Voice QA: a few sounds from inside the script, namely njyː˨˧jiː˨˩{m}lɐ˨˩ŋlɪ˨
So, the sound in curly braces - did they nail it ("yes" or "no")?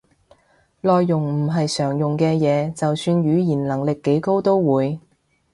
no